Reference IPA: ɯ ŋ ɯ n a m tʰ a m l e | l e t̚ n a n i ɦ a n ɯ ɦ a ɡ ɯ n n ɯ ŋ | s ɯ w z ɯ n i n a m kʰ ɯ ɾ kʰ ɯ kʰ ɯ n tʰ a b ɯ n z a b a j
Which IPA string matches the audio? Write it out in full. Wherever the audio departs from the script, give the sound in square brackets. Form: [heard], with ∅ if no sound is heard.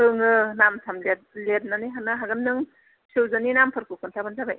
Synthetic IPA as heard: ɯ ŋ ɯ n a m tʰ a m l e | l e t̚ n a n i ɦ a n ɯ ɦ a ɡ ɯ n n ɯ ŋ | s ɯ w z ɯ n i n a m [pʰ] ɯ ɾ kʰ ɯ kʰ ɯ n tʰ a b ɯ n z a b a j